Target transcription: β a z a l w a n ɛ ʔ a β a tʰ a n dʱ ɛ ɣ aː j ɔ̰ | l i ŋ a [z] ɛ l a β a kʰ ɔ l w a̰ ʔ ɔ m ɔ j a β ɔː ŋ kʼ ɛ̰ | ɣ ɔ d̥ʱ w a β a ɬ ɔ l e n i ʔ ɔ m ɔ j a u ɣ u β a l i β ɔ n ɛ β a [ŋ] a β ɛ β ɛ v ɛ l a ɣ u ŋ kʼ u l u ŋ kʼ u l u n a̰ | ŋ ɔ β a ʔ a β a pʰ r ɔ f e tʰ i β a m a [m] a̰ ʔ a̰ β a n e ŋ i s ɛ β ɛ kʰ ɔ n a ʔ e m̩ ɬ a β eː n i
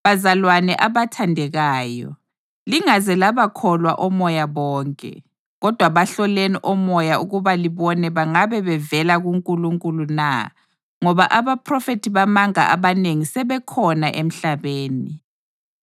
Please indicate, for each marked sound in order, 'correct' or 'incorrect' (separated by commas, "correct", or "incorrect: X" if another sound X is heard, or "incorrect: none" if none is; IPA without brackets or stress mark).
correct, correct, incorrect: ŋ